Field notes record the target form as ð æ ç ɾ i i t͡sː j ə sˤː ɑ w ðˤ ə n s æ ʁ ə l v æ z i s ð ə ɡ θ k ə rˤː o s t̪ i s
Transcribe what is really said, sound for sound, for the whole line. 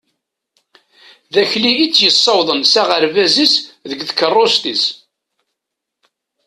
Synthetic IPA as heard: ð æ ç l i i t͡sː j ə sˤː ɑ w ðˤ ə n s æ ʁ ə ɾ v æ z i s ð ə ɡ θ k ə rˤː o s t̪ i s